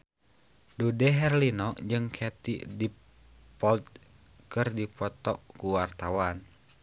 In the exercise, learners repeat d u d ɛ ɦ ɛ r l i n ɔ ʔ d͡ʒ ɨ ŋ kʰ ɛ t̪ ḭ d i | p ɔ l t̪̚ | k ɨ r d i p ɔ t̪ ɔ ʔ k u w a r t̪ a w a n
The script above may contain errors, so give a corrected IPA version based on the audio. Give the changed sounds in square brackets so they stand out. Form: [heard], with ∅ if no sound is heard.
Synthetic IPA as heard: d u d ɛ ɦ ɛ r l i n ɔ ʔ d͡ʒ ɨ ŋ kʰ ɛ t̪ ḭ d i | p ɔ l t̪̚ | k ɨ r d i p ɔ t̪ ɔ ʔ k u w a r t̪ a w a n